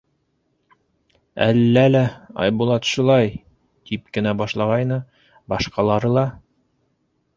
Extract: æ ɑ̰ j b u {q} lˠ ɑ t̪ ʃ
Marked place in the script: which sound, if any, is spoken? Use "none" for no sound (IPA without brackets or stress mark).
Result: none